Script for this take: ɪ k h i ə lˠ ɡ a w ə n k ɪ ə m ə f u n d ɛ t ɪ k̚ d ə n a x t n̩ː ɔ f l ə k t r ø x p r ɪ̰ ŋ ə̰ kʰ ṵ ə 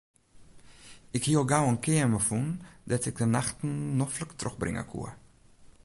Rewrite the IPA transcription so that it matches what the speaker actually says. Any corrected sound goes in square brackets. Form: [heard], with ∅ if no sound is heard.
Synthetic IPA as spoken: ɪ k h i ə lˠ ɡ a w ə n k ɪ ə m ə f u n d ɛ t ɪ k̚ d ə n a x t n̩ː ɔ f l ə k t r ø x [b] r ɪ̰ ŋ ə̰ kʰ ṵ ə